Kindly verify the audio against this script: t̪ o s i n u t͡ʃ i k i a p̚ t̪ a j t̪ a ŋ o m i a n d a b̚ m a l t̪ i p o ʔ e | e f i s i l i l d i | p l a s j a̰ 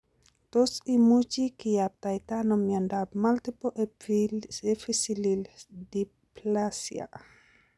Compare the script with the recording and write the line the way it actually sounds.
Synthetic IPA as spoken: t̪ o s i m u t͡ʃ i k i a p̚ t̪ a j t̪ a n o m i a n d a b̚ m a l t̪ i p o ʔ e | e f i s i l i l d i | p l a s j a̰

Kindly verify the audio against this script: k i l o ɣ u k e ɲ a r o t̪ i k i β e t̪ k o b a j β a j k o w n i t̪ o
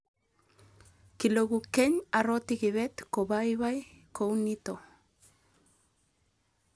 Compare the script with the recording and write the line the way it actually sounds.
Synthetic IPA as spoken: k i l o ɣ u k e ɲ a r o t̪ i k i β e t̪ k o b a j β a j k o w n i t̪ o

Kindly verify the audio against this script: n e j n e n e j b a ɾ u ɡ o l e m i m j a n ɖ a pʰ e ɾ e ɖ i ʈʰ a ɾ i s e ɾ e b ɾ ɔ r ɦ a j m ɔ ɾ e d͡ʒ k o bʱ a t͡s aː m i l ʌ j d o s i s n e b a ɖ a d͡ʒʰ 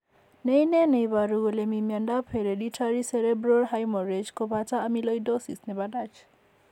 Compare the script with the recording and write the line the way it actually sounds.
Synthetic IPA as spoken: n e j n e n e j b a ɾ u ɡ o l e m i m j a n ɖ a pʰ e ɾ e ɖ i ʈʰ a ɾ i s e ɾ e b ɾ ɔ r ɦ a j m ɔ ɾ e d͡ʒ k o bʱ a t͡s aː m i l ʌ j d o s i s n e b a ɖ a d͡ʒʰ

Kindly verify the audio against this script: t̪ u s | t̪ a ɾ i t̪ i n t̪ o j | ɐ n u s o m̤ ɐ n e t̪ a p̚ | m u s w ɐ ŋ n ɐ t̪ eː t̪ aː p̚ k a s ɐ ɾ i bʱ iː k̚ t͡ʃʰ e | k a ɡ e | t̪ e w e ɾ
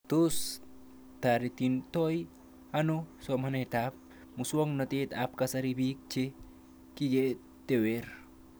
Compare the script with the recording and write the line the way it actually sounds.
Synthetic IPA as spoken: t̪ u s | t̪ a ɾ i t̪ i n t̪ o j | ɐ n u s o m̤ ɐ n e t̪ a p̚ | m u s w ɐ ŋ n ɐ t̪ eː t̪ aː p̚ k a s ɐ ɾ i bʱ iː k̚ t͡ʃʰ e | k i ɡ e | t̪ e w e ɾ

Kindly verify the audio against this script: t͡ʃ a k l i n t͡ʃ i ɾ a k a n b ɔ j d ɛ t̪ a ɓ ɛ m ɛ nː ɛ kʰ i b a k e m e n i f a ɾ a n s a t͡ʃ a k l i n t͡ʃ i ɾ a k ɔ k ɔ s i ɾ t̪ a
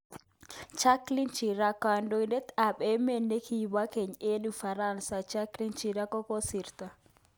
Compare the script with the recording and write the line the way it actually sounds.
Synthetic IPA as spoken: t͡ʃ a k l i n t͡ʃ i ɾ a k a n d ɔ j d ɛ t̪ a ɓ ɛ m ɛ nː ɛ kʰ i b a k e ɲ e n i f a ɾ a n s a t͡ʃ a k l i n t͡ʃ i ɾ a k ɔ k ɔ s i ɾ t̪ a

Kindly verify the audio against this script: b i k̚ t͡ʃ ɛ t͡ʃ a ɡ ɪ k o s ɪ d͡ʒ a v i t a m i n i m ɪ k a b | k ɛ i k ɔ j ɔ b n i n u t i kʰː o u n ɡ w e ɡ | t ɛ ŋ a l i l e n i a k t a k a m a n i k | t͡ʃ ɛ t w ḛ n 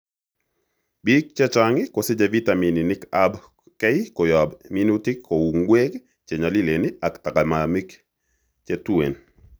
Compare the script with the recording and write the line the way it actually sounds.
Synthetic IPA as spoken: b i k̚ t͡ʃ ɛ t͡ʃ a ŋ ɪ k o s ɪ d͡ʒ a v i t a m i n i n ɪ k a b | k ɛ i k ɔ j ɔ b m i n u t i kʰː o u ŋ ɡ w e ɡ | t͡ʃ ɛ ɲ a l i l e n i a k t a k a m a m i k | t͡ʃ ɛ t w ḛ n

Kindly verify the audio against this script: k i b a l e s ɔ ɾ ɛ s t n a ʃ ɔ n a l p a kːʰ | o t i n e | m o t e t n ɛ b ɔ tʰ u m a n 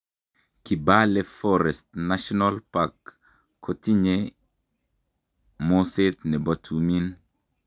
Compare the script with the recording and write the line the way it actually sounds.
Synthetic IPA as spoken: k i b a l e f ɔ ɾ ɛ s t n a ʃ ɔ n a l p a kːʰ | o t i ɲ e | m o s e t n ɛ b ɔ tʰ u m i n

